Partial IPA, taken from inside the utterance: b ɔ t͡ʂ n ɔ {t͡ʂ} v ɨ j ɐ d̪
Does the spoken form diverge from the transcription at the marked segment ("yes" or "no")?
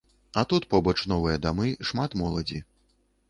yes